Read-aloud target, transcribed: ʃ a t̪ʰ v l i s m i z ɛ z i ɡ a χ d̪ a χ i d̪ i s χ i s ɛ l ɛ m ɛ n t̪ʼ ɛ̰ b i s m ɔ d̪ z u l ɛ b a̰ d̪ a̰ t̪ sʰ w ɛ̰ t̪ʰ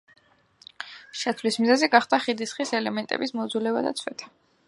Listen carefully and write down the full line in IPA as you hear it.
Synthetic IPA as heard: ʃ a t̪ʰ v l i s m i z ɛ z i ɡ a χ d̪ a χ i d̪ i s χ i s ɛ l ɛ m ɛ n t̪ʼ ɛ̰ b i s m ɔ d̪ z u l ɛ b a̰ d̪ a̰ t̪ sʰ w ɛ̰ t̪ʰ